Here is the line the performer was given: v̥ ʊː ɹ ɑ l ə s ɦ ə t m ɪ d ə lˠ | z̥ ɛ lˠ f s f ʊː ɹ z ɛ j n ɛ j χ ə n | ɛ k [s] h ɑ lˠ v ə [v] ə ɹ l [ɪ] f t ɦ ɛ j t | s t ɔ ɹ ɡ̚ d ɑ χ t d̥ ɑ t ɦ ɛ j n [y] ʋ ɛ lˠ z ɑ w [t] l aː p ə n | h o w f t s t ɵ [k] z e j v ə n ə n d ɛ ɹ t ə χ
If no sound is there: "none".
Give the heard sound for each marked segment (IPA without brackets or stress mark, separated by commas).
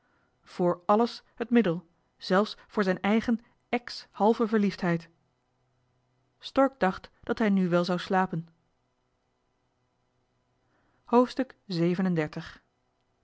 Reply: s, v, i, y, s, k